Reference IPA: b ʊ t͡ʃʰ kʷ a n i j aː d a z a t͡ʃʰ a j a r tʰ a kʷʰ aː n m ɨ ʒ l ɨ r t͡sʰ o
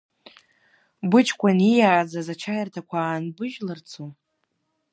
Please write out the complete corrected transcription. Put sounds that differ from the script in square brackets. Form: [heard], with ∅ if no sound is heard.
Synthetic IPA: b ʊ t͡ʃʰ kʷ a n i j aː [d͡z] a z a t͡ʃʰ a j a r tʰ a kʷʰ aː n [b] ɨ ʒ l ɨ r t͡sʰ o